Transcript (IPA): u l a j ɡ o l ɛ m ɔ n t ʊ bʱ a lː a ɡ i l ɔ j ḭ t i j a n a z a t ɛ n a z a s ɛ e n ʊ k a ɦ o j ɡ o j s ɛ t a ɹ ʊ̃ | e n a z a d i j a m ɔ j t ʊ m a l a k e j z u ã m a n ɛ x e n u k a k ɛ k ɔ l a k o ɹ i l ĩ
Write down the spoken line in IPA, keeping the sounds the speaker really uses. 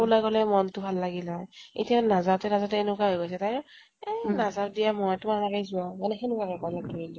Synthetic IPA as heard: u l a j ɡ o l ɛ m ɔ n t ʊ bʱ a lː a ɡ i l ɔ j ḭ t i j a n a z a t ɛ n a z a t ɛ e n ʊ k a ɦ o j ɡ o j s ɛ t a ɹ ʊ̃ | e n a z a d i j a m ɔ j t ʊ m a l a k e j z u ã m a n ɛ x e n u k a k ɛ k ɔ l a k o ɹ i l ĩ